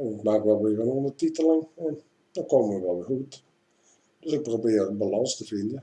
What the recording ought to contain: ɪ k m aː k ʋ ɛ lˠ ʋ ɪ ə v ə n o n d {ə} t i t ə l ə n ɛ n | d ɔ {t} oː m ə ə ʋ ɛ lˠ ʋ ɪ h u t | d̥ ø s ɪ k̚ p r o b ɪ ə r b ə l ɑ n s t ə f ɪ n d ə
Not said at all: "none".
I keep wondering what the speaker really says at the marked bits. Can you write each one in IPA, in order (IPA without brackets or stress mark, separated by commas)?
ə, k